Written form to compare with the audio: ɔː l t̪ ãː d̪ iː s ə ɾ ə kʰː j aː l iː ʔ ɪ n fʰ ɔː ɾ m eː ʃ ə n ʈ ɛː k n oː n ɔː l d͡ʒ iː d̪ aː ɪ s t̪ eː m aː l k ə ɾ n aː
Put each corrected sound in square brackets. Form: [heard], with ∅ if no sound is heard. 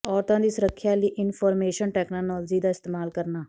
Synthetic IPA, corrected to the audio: ɔː [ɾ] t̪ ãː d̪ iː s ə ɾ ə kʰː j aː l iː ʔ ɪ n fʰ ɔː ɾ m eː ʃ ə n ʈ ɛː k n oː n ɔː l d͡ʒ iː d̪ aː ɪ s t̪ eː m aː l k ə ɾ n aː